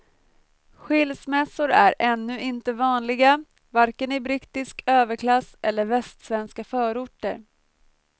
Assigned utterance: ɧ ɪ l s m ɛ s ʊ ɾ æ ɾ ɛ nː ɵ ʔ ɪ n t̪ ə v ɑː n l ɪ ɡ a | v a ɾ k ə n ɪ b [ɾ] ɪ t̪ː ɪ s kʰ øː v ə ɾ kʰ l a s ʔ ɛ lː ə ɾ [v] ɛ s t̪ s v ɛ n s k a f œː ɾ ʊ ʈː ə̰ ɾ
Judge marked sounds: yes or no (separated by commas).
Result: yes, yes